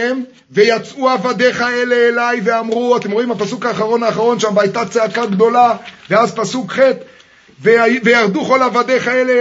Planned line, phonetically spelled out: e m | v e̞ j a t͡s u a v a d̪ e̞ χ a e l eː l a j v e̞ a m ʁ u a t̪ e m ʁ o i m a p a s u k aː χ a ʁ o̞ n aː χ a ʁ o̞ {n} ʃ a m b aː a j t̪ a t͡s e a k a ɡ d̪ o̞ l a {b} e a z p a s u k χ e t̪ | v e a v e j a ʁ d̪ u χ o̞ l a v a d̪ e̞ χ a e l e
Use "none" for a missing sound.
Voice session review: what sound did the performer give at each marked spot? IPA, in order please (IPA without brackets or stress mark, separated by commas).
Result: n, v